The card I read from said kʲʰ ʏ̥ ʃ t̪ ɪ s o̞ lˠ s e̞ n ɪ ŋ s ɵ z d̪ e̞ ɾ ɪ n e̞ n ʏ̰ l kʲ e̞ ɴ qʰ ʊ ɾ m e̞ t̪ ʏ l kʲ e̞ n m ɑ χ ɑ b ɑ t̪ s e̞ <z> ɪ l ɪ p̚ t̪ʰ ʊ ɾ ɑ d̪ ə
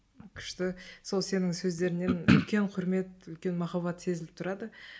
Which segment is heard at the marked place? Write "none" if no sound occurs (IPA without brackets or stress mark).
z